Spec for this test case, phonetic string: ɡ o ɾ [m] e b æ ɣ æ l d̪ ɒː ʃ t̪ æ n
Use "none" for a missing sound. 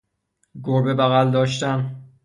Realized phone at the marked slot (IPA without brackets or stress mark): b